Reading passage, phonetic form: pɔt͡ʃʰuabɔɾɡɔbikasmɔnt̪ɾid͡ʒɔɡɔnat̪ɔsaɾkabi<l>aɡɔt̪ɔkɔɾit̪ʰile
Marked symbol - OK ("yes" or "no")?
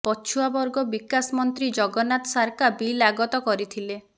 yes